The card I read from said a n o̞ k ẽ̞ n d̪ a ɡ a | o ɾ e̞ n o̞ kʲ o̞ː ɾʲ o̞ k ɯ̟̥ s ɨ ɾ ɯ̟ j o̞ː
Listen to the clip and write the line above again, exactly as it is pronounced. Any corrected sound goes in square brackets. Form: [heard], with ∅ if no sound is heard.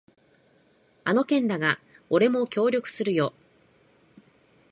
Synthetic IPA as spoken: a n o̞ k ẽ̞ n d̪ a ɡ a | o ɾ e̞ [m] o̞ kʲ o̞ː ɾʲ o̞ k ɯ̟̥ s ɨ ɾ ɯ̟ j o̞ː